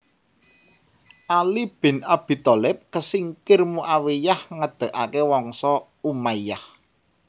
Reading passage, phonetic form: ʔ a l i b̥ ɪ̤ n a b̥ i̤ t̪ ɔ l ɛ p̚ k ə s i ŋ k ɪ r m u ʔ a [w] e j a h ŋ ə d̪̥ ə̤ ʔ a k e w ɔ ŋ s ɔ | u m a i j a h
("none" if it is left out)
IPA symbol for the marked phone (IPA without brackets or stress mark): w